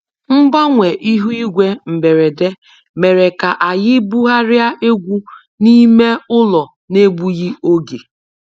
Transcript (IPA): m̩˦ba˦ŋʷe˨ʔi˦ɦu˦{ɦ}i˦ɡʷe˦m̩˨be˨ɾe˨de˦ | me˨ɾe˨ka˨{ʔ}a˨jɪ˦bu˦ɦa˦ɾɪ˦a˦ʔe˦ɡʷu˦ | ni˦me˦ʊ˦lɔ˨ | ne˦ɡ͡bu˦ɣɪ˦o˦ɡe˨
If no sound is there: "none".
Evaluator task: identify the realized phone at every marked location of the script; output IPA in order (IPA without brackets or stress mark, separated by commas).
none, ʔ